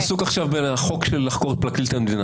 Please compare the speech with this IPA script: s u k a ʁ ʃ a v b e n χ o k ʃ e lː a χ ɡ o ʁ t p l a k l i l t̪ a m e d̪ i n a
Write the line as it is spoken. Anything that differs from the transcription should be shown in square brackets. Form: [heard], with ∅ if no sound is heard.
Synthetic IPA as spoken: s u k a [χ] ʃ a v b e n χ o k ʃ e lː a χ [k] o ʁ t p l a k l i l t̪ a m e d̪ i n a